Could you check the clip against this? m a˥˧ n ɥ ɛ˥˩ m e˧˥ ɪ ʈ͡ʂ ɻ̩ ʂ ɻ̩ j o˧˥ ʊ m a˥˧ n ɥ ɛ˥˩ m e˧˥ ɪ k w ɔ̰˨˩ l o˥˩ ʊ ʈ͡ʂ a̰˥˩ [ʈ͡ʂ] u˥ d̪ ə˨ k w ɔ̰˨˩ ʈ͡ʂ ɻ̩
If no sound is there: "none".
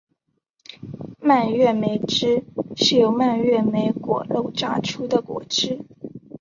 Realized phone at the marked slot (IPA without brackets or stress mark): ʈ͡ʂʰ